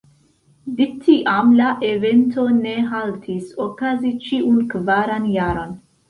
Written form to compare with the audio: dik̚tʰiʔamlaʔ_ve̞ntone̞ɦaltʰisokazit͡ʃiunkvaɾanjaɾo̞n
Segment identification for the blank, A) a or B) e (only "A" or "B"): B